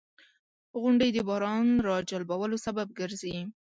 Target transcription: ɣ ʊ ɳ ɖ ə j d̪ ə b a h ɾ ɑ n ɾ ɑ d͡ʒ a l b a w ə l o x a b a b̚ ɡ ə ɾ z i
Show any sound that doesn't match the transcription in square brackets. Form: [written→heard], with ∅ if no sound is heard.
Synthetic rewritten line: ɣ ʊ ɳ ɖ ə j d̪ ə b [a→ɑ] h ɾ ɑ n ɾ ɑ d͡ʒ a l b a w ə l o [x→s] a b a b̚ ɡ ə ɾ z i